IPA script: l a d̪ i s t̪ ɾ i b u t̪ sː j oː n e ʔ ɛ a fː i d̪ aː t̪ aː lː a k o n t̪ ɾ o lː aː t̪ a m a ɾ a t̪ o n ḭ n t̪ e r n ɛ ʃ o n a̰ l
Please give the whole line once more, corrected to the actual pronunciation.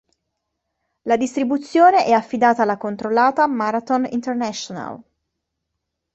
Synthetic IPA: l a d̪ i s t̪ ɾ i b u t̪ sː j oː n e ʔ ɛ a fː i d̪ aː t̪ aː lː a k o n t̪ ɾ o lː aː t̪ a m a ɾ a t̪ o n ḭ n t̪ e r n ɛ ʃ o n a̰ l